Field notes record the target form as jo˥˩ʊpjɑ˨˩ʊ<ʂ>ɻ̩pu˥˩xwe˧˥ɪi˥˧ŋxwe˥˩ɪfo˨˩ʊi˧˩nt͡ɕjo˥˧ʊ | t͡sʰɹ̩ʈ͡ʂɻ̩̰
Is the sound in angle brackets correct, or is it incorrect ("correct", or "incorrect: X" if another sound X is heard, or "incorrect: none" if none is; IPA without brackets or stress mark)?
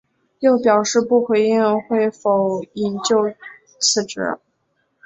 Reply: correct